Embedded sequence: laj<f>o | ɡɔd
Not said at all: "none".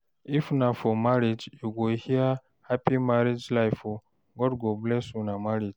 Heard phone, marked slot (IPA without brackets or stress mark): f